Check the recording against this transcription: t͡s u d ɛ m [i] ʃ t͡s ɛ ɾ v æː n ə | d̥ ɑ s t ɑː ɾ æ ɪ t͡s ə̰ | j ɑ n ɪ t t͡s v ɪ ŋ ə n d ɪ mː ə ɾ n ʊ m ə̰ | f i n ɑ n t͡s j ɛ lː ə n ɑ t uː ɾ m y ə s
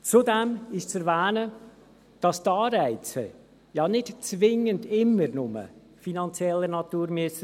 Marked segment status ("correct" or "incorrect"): incorrect